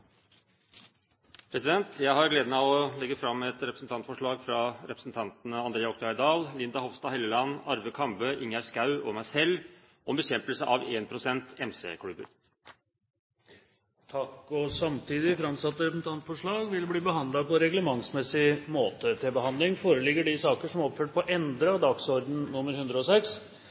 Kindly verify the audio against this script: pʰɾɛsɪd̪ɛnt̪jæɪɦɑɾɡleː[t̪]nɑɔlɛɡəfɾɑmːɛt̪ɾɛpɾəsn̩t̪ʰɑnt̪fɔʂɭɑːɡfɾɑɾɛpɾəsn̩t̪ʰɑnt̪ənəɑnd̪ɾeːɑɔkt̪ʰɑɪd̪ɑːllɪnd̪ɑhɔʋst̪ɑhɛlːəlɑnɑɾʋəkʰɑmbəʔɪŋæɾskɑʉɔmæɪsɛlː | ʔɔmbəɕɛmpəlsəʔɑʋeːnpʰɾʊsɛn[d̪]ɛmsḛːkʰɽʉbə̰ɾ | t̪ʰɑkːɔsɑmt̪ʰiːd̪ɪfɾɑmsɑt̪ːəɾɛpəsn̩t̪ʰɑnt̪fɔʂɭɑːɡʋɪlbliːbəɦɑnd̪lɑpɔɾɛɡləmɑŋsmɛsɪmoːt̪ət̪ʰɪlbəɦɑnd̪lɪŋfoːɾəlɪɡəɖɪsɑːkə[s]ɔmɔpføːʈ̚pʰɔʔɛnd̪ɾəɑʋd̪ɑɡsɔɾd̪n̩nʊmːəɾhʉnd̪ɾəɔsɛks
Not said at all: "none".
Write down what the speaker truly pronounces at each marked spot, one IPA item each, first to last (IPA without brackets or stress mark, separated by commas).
d̪, t̪, ʂ